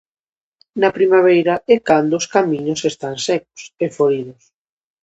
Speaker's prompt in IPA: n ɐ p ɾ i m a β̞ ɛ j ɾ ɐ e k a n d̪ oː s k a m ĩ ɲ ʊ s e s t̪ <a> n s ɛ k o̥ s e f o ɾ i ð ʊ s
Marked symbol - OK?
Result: yes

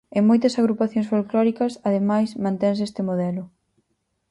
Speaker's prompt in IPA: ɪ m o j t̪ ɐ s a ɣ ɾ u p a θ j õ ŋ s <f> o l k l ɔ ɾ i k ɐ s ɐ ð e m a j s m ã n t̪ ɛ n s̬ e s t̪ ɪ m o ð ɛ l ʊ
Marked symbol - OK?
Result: yes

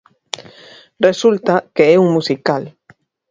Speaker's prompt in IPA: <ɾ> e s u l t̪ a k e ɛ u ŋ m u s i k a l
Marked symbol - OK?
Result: no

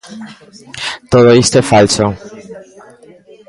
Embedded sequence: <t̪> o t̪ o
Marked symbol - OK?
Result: yes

